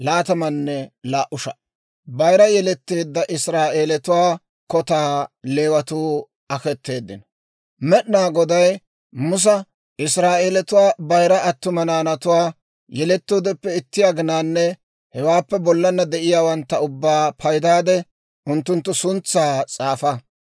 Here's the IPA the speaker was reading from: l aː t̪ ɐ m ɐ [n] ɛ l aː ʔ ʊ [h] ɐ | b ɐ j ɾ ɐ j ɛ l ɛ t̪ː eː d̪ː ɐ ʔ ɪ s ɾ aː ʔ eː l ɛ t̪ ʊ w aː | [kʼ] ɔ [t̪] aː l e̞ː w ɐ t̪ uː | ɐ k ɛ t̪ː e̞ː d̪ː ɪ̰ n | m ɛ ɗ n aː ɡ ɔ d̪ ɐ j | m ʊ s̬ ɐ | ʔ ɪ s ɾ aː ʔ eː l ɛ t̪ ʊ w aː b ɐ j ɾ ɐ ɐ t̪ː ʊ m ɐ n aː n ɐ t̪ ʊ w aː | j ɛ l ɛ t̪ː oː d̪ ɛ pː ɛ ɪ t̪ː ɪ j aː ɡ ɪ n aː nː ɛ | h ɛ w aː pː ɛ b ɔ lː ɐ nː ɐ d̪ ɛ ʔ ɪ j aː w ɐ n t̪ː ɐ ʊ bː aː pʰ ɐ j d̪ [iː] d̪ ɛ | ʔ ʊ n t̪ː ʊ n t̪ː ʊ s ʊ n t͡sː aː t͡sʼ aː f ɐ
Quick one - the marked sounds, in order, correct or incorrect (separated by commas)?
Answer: incorrect, incorrect, incorrect, correct, incorrect